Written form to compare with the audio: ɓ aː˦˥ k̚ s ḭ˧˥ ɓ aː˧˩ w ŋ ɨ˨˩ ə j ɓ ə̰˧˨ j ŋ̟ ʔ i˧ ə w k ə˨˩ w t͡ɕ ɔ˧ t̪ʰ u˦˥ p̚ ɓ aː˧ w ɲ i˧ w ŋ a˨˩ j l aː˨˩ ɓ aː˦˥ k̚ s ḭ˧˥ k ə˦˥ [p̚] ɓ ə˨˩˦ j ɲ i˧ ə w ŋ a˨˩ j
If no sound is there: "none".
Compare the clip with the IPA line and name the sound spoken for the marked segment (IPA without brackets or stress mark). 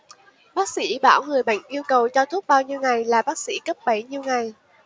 p̚